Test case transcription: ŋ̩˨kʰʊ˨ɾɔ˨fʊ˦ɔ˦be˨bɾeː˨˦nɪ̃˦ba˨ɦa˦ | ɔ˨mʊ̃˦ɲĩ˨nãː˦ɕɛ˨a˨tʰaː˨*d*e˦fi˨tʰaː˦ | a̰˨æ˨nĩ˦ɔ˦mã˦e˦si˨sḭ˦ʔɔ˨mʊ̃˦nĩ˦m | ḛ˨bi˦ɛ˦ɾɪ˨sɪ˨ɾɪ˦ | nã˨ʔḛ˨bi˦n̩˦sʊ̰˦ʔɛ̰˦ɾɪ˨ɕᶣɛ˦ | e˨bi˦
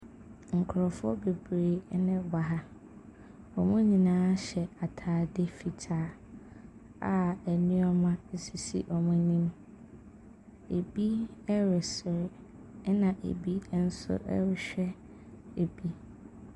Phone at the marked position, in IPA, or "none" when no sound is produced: d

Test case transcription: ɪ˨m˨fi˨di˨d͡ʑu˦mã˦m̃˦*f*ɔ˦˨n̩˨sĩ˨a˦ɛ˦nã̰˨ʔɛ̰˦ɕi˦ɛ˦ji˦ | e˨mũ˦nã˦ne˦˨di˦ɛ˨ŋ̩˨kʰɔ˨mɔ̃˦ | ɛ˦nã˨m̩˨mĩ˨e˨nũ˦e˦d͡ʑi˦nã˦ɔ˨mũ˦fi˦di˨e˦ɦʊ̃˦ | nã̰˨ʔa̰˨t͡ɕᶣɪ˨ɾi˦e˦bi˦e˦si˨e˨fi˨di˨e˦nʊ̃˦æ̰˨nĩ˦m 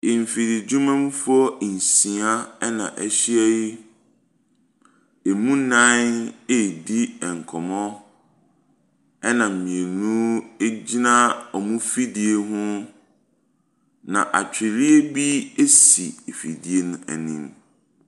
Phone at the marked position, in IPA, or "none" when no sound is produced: f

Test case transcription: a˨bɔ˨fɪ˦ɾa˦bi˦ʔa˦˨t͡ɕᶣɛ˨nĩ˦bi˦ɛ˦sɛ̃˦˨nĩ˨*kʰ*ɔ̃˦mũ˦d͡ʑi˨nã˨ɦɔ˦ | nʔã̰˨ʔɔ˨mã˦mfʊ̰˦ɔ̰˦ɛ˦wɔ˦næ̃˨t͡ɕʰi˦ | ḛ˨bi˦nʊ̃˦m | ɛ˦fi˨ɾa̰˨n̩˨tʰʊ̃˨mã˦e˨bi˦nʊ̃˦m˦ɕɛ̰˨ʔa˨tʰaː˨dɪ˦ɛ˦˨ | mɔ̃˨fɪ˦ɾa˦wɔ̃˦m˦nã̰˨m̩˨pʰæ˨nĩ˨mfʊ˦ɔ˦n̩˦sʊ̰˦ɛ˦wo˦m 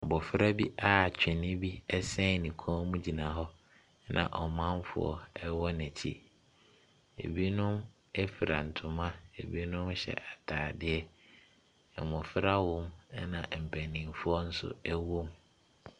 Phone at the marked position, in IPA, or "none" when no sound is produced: kʰ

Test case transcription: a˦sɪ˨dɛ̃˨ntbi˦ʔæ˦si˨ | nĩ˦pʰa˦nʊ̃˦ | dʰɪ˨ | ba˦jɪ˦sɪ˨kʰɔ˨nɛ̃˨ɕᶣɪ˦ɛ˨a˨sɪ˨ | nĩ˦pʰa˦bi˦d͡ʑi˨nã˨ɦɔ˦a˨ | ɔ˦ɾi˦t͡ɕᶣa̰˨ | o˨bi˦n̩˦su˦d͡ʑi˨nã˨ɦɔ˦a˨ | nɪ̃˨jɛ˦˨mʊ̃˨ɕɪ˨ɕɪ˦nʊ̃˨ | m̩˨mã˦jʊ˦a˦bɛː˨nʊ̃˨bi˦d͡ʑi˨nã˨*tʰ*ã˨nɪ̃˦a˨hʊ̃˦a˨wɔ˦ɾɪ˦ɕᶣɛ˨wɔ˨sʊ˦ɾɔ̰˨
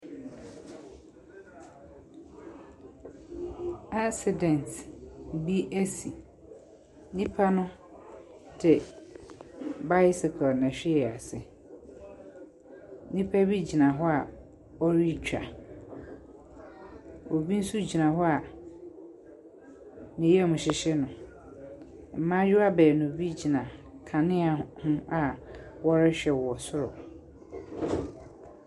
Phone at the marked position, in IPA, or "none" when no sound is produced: kʰ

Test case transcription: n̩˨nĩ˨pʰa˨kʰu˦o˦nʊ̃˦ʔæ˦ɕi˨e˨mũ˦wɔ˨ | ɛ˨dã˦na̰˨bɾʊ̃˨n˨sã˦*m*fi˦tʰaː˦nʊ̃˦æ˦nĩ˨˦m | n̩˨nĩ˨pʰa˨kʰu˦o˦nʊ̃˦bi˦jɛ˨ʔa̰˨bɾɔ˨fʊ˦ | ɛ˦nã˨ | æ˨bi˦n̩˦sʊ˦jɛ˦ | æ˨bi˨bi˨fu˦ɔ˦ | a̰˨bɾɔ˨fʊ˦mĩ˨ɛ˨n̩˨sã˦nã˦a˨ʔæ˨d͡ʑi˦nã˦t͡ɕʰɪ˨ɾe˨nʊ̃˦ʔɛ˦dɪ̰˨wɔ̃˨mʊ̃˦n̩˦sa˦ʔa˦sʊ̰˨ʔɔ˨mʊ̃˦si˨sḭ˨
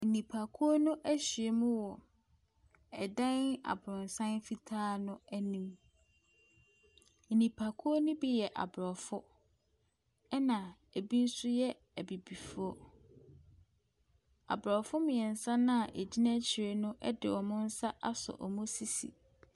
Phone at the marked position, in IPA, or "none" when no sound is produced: n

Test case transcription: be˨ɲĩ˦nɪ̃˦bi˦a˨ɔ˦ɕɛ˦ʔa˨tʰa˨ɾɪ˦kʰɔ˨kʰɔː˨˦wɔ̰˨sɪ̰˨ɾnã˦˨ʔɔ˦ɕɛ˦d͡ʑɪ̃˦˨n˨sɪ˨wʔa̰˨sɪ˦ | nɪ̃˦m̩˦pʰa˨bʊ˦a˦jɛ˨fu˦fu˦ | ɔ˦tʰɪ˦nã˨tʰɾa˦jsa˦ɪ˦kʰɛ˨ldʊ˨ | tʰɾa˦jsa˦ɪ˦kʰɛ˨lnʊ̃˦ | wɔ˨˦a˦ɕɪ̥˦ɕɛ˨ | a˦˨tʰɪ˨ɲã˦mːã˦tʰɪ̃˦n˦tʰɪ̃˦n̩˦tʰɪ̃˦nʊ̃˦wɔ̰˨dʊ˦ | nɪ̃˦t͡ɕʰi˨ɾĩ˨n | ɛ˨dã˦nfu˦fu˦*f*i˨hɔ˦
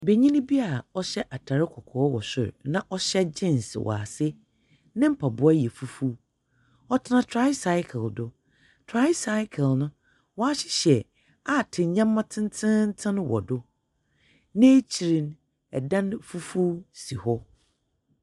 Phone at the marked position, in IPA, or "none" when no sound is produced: s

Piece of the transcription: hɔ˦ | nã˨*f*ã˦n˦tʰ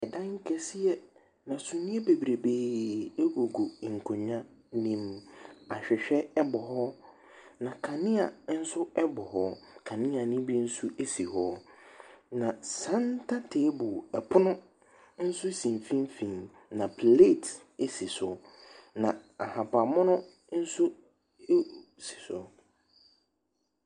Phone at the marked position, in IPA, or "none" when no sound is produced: s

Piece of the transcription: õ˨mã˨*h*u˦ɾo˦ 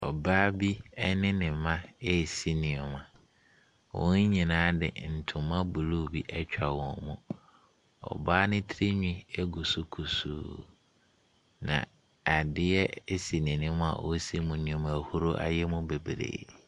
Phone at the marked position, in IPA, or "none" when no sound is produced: h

